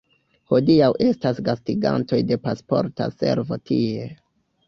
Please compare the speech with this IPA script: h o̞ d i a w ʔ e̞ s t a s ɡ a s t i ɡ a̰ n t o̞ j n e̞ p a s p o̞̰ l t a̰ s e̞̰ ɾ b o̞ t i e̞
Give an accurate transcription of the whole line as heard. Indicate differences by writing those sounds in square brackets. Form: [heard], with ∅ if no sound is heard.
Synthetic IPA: h o̞ d i a w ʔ e̞ s t a s ɡ a s t i ɡ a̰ n t o̞ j [d] e̞ p a s p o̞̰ [ɾ] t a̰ s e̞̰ ɾ [v] o̞ t i e̞